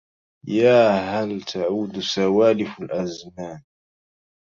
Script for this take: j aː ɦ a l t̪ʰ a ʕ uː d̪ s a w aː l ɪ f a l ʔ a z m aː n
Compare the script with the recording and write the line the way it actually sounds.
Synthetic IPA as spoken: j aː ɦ a l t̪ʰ a ʕ uː d̪ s a w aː l ɪ f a l ʔ a z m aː n